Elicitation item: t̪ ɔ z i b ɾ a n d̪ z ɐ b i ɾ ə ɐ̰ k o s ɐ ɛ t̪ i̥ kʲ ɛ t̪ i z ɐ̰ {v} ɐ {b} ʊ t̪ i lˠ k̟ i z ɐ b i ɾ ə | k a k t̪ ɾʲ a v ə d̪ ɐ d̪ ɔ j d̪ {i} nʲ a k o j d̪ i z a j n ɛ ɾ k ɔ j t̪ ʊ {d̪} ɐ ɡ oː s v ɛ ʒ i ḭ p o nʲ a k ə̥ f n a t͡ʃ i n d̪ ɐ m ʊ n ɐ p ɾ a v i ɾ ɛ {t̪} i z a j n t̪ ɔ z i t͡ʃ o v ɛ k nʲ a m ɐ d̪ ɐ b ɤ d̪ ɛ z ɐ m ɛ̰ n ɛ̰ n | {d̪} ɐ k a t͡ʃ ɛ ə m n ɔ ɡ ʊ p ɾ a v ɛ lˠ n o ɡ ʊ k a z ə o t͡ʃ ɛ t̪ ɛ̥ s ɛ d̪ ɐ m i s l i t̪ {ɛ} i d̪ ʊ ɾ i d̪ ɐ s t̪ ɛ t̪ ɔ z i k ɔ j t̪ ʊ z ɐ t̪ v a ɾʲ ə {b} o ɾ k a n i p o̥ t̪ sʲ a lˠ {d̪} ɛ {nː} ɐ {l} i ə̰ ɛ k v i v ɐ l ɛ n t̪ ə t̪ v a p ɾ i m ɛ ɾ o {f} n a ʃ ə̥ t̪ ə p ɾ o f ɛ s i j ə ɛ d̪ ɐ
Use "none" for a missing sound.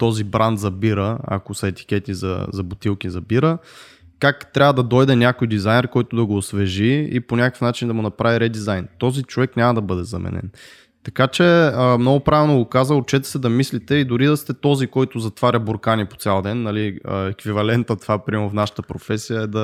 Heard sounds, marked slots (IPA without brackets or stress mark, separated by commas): z, b, ɛ, d̪, d̪, t̪, ɛ, b, d̪, nː, l, f